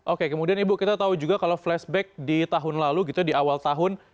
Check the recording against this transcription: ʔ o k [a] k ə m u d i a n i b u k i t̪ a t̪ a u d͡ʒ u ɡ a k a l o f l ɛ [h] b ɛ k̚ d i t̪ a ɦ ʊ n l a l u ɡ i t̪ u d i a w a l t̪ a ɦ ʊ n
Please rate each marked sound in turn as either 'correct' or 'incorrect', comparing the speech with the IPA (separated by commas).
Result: incorrect, incorrect